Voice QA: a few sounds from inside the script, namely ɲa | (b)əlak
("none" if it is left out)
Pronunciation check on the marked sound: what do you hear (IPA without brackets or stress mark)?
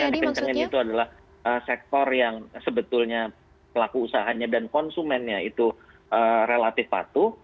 p